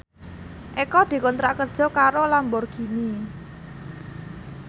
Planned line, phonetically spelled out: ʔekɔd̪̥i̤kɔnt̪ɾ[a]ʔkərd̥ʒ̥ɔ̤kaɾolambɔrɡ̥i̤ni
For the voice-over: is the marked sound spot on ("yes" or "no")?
yes